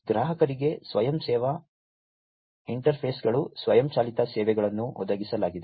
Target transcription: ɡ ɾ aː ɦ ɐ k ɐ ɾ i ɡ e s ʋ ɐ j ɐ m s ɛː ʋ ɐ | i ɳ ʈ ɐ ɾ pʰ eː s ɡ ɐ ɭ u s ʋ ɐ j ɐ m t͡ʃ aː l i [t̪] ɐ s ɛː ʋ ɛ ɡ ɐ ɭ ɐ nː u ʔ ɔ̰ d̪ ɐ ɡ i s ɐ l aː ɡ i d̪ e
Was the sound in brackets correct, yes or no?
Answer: yes